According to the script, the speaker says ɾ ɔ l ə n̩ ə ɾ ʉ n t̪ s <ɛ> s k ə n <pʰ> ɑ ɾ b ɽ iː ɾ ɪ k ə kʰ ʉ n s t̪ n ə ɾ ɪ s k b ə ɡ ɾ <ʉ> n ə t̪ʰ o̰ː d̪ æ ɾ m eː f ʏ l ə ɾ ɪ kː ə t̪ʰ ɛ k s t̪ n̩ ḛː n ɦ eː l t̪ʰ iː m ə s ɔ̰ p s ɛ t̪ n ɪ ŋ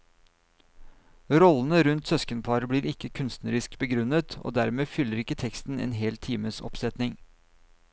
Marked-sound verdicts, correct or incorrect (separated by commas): incorrect, correct, correct